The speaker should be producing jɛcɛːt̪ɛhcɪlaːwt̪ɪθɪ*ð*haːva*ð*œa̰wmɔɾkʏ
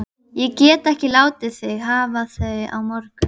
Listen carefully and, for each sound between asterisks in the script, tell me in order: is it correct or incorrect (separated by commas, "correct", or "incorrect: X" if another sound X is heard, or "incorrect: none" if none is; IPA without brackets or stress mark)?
incorrect: ɣ, incorrect: θ